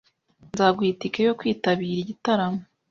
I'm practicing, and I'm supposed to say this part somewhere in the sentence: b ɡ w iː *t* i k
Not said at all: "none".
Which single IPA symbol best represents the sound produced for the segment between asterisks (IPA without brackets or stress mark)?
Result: t